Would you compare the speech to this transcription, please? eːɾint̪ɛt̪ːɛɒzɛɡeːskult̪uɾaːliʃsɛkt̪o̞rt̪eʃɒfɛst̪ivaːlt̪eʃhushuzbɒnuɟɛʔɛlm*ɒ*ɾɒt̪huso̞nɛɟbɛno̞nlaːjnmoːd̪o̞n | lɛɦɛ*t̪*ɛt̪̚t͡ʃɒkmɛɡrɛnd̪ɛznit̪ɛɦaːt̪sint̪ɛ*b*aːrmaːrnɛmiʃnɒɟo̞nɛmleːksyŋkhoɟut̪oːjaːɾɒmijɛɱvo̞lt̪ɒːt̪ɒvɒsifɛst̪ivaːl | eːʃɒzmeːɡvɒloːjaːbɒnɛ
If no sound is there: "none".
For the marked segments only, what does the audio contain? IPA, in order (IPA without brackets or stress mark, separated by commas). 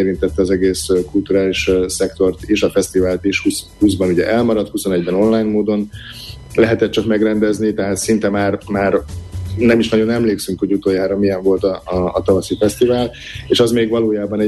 ɒ, t̪, m